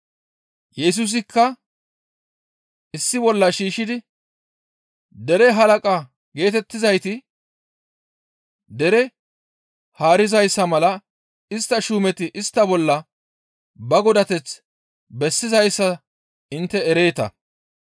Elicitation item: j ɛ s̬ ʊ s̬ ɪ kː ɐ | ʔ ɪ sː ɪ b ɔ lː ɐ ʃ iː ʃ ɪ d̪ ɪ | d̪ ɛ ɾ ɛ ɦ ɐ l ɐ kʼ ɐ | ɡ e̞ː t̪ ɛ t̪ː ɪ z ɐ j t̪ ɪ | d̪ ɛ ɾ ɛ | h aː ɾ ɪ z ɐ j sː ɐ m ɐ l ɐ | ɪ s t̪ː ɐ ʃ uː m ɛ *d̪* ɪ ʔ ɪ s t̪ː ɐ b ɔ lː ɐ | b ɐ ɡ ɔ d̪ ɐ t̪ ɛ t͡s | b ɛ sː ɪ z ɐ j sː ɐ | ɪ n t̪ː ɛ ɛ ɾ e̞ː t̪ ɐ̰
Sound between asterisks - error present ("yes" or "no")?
yes